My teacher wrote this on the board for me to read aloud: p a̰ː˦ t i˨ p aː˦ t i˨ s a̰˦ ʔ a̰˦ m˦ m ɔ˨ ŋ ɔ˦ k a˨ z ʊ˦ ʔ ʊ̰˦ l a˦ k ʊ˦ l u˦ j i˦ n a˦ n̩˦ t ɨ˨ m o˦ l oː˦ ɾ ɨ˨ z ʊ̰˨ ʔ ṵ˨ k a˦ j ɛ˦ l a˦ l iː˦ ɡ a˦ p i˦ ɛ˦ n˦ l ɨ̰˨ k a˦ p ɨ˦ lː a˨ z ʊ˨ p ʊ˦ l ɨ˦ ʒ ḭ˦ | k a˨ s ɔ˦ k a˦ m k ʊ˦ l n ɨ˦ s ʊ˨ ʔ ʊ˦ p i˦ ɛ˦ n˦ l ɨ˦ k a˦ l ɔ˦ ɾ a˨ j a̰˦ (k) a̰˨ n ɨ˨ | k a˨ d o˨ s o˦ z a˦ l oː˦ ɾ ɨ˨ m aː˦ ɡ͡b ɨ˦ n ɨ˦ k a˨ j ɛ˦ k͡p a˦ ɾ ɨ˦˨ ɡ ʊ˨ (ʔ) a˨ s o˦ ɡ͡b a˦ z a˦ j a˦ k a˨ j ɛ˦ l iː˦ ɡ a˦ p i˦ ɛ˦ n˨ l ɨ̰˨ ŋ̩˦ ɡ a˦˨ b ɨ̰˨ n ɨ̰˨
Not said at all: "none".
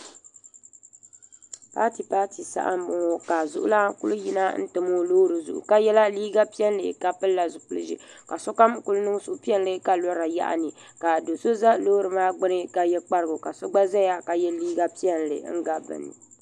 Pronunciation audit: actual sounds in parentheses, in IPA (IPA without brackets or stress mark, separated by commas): ʔ, k